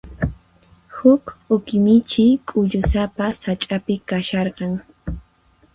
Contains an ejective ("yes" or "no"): yes